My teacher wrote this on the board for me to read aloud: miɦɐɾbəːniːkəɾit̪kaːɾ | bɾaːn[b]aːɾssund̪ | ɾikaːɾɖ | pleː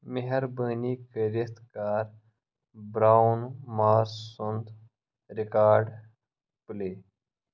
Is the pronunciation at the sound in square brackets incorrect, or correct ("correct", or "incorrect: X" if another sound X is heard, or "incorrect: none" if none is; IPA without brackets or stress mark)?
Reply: incorrect: m